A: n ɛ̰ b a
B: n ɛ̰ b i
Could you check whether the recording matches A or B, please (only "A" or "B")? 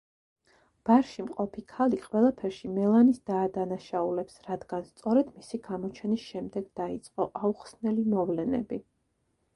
B